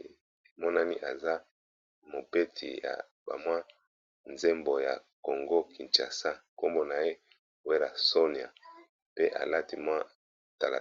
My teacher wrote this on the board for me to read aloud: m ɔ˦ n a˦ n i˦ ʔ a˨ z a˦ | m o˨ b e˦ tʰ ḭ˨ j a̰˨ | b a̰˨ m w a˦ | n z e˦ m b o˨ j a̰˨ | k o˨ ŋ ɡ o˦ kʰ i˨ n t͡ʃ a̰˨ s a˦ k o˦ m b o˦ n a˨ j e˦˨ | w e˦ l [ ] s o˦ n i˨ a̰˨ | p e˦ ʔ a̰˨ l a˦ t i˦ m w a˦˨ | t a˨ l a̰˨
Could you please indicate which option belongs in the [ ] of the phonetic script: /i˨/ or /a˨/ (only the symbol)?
a˨